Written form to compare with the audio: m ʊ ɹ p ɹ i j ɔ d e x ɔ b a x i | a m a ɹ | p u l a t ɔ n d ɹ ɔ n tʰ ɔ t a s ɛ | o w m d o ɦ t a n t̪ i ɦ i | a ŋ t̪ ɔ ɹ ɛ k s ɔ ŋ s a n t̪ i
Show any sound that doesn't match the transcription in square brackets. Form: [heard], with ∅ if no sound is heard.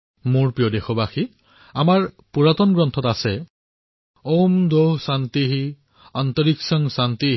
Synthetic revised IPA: m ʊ ɹ p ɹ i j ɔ d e x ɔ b a x i | a m a ɹ | p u [ɹ] a t ɔ n [ɡ] ɹ ɔ n tʰ ɔ t a s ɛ | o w m d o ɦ [s] a n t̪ i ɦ i | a [n] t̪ ɔ ɹ [i] k s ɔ ŋ s a n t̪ i